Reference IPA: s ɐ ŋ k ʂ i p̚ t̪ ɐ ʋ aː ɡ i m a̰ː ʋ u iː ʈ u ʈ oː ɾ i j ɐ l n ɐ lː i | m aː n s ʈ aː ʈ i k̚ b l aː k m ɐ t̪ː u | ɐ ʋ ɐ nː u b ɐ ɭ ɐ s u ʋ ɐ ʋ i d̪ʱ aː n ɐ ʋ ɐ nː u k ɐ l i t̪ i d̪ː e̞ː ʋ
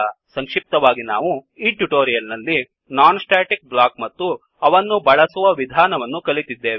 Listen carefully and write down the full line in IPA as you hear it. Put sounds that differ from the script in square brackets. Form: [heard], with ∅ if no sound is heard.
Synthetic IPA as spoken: s ɐ ŋ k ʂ i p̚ t̪ ɐ ʋ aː ɡ i [n] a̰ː ʋ u iː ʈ u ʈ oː ɾ i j ɐ l n ɐ lː i | [n] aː n s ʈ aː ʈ i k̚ b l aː k m ɐ t̪ː u | ɐ ʋ ɐ nː u b ɐ ɭ ɐ s u ʋ ɐ ʋ i d̪ʱ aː n ɐ ʋ ɐ nː u k ɐ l i t̪ i d̪ː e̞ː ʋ

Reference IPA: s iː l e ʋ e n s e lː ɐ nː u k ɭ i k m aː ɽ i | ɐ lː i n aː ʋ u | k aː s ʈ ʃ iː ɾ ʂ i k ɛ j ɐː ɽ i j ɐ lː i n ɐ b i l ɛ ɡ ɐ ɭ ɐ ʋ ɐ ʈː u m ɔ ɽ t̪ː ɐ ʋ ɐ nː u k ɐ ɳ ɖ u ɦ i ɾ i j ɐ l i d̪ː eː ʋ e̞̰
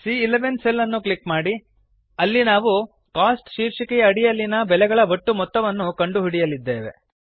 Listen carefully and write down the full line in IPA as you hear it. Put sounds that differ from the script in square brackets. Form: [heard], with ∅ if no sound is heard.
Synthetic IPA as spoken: s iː l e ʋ e n s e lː ɐ nː u k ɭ i k m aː ɽ i | ɐ lː i n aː ʋ u | k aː s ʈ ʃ iː ɾ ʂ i k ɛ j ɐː ɽ i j ɐ lː i n ɐ b [ɛ] l ɛ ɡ ɐ ɭ ɐ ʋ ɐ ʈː u m ɔ [∅] t̪ː ɐ ʋ ɐ nː u k ɐ ɳ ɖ u ɦ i [ɽ] i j ɐ l i d̪ː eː ʋ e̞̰

